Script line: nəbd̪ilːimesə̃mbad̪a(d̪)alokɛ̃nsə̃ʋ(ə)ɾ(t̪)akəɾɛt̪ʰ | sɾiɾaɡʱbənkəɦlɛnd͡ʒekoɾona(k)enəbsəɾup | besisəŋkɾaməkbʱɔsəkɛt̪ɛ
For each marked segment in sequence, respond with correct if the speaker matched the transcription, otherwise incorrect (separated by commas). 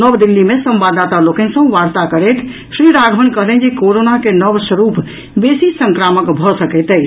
incorrect, incorrect, correct, correct